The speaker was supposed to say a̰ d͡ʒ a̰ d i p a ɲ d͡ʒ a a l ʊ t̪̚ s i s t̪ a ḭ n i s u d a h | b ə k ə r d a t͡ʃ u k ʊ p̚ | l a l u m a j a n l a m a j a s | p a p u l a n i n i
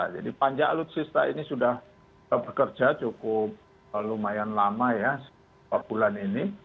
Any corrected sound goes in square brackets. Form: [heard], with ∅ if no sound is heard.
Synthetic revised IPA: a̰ d͡ʒ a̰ d i p a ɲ d͡ʒ a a l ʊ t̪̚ s i s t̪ a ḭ n i s u d a h | b ə k ə r [d͡ʒ] a t͡ʃ u k ʊ p̚ | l a l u m a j a n l a m a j a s | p a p u l a n i n i